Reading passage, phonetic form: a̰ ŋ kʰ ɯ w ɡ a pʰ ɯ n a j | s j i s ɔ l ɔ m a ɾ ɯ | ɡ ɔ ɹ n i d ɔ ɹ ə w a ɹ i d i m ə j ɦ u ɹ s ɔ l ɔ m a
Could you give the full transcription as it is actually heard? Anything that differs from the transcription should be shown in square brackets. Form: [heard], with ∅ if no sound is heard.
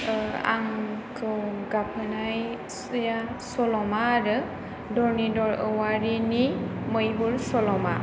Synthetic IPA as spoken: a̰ ŋ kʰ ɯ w ɡ a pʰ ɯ n a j | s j [a] s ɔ l ɔ m a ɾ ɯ | [d] ɔ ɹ n i d ɔ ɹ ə w a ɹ i [n] i m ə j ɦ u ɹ s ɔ l ɔ m a